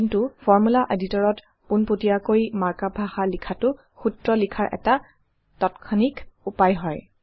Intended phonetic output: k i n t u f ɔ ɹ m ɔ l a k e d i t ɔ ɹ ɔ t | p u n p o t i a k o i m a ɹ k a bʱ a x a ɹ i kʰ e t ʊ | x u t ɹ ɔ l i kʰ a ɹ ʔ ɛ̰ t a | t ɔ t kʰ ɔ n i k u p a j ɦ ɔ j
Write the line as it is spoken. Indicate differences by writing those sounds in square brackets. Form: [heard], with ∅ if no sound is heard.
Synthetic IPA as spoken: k i n t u f ɔ ɹ m [u] l a [ʔ] e d i t ɔ ɹ ɔ t | p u n p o t i a k o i m a ɹ k a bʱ a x a [l] i kʰ [a] t ʊ | x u t ɹ ɔ l i kʰ a ɹ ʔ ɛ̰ t a | t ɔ t kʰ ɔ n i k u p a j ɦ ɔ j